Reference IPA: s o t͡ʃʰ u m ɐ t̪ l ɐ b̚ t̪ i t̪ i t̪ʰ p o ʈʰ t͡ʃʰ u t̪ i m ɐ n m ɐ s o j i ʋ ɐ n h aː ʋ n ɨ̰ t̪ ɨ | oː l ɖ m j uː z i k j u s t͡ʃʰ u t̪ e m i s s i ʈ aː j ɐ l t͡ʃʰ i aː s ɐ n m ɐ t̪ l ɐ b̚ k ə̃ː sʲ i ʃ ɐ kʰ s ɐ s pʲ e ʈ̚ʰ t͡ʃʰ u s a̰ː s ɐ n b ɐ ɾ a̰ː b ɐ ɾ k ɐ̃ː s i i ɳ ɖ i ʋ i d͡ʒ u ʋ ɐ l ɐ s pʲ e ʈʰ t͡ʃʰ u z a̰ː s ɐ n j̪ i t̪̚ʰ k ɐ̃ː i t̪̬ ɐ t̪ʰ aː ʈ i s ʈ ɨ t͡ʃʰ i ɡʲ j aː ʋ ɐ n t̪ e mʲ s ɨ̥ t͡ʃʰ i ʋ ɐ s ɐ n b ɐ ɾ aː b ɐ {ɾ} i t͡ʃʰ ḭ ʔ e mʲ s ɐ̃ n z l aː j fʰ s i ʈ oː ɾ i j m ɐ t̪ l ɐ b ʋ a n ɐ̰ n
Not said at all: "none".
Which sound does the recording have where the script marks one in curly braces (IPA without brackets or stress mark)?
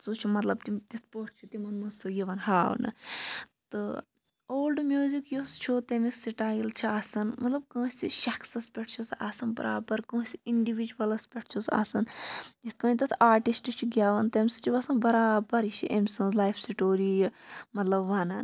ɾ